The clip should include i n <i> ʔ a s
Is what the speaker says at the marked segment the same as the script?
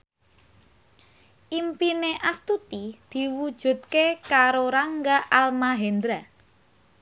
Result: no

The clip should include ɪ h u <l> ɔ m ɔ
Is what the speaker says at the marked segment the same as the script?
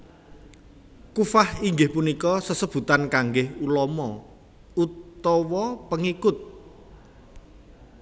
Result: yes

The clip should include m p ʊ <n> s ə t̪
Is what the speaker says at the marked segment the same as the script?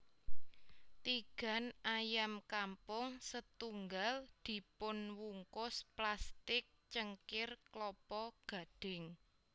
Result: no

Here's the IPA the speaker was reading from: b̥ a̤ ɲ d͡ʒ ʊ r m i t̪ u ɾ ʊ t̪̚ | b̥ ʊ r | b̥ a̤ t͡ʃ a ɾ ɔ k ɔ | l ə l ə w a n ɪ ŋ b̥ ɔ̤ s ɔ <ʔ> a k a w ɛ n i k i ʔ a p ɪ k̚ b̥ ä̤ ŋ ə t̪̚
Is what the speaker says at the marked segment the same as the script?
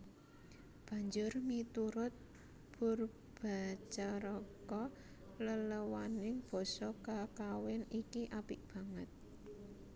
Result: no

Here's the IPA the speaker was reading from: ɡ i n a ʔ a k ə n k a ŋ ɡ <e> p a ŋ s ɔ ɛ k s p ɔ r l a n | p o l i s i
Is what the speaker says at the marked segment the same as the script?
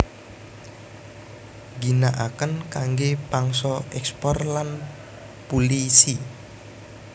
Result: yes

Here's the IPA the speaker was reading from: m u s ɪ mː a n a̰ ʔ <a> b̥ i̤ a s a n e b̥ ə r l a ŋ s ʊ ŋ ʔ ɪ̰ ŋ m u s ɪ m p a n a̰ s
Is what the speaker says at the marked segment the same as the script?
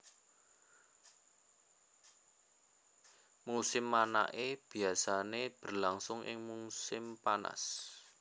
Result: no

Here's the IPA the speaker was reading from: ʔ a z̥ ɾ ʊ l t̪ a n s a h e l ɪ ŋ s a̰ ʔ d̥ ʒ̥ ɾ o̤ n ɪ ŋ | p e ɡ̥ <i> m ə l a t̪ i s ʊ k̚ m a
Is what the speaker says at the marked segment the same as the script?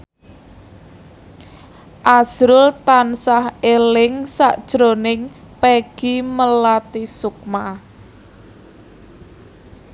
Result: yes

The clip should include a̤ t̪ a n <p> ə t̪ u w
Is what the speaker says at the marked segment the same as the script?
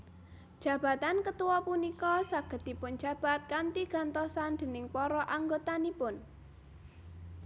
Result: no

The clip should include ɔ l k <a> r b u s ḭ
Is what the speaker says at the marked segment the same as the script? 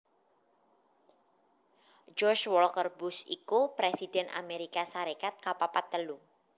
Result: no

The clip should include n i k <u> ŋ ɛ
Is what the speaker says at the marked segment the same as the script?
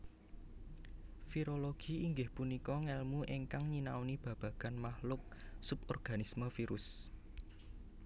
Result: no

